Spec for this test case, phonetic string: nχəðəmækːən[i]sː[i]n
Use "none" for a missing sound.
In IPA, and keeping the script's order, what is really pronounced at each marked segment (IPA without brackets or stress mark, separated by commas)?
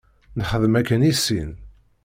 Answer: i, i